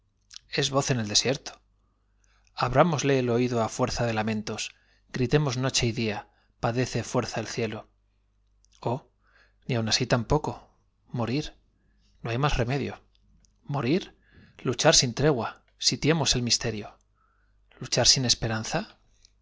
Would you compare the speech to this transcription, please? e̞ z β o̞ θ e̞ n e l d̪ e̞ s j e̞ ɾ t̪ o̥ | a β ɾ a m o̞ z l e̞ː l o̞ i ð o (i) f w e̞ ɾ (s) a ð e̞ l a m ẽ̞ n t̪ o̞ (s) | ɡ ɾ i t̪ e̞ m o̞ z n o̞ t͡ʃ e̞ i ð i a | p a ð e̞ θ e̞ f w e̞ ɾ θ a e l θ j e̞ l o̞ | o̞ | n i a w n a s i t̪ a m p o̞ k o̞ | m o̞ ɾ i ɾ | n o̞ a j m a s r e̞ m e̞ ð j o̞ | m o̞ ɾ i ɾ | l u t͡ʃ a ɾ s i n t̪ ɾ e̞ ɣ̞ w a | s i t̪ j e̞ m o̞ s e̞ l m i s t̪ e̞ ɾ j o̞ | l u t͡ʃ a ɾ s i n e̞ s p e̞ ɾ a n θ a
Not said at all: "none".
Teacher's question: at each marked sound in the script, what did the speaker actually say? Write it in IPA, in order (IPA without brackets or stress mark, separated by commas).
a, θ, s